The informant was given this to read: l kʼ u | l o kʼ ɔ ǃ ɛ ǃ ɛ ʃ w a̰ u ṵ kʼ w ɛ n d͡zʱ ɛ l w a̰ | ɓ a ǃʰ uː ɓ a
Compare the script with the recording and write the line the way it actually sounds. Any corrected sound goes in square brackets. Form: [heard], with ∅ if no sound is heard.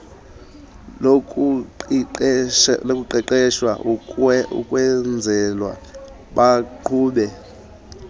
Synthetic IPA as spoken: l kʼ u | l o kʼ [u] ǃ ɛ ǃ ɛ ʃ w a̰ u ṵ kʼ w ɛ n d͡zʱ ɛ l w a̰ | ɓ a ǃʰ uː ɓ [ɛ]